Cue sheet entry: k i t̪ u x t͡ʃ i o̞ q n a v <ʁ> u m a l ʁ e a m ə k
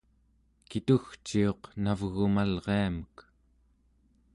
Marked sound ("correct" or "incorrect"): incorrect